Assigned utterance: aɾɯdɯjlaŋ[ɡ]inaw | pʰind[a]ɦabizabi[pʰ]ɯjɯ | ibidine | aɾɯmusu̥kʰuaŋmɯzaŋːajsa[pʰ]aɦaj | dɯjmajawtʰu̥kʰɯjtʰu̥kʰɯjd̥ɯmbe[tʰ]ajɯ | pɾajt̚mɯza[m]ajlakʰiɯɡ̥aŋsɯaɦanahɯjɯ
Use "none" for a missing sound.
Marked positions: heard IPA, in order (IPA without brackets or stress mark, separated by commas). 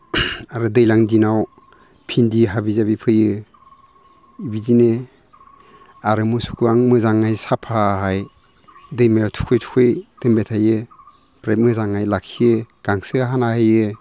d, i, pʰ, pʰ, tʰ, ŋ